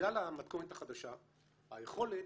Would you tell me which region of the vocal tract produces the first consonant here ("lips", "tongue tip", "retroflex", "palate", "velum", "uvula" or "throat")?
tongue tip